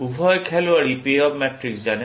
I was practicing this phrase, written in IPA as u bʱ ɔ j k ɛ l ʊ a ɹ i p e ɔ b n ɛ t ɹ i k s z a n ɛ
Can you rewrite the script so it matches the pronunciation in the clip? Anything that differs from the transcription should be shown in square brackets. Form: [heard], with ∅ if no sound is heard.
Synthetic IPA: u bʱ ɔ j [kʰ] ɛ l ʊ a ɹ i p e ɔ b [m] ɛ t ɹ i k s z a n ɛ

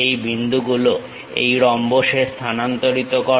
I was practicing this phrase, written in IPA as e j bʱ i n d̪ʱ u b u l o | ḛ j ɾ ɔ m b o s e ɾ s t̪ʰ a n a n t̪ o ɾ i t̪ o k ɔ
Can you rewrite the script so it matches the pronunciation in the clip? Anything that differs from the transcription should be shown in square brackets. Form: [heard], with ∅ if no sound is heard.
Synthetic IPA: e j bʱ i n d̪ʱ u [ɡ] u l o | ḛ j ɾ ɔ m b o [ʃ] e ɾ s t̪ʰ a n a n t̪ o ɾ i t̪ o k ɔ

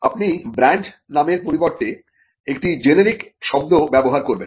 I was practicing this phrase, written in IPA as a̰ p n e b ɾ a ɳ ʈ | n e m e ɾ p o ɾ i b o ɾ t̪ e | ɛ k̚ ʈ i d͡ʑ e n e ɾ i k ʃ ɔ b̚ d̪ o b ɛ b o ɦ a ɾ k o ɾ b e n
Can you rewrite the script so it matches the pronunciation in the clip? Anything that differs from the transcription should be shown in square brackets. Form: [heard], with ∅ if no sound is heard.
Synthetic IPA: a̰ p n [i] b ɾ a ɳ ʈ | n [a] m e ɾ p o ɾ i b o ɾ t̪ e | [e] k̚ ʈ i d͡ʑ e n e ɾ i k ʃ ɔ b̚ d̪ o b ɛ b o ɦ a ɾ k o ɾ b e n

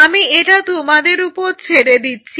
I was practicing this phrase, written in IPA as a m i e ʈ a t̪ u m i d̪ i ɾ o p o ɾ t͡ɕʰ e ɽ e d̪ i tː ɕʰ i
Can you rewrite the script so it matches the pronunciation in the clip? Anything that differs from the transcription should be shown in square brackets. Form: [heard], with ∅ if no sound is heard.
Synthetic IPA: a m i e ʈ a t̪ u m [a] d̪ [e] ɾ [u] p o ɾ t͡ɕʰ e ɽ e d̪ i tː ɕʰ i

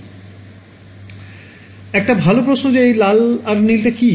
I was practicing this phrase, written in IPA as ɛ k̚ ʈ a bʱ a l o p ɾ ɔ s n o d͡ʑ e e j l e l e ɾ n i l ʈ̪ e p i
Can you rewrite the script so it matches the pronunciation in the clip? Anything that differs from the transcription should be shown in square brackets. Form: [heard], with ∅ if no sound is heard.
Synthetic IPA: ɛ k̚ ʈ a bʱ a l o p ɾ [o] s n o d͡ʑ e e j l [a] l [a] ɾ n i l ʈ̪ e [k] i

